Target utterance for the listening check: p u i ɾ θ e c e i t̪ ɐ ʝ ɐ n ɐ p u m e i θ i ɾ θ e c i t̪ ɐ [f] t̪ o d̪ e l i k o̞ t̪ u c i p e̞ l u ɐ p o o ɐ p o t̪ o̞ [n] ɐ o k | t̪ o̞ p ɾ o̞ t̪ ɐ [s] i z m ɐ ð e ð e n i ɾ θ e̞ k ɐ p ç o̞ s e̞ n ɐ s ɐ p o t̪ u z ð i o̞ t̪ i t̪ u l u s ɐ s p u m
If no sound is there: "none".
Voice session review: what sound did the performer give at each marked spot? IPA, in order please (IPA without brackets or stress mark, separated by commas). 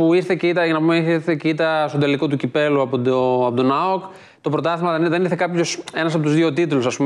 s, n, θ